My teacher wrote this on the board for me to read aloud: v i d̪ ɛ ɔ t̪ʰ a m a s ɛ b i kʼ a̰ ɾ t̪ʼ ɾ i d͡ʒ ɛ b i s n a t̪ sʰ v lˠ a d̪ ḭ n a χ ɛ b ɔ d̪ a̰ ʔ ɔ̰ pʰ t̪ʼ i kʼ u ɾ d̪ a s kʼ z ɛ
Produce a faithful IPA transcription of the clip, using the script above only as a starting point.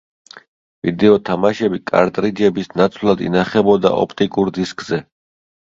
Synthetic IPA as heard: v i d̪ ɛ ɔ t̪ʰ a m a ʃ ɛ b i kʼ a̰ ɾ t̪ʼ ɾ i d͡ʒ ɛ b i s n a t̪ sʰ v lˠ a d̪ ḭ n a χ ɛ b ɔ d̪ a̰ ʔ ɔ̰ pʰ t̪ʼ i kʼ u ɾ d̪ i s kʼ z ɛ